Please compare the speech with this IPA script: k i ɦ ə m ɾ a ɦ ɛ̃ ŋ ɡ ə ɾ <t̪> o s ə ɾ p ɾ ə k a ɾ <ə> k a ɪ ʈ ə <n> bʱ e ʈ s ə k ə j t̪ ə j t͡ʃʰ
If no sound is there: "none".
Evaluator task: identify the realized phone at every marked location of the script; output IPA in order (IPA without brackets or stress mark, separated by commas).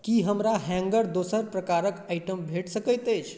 d̪, ə, m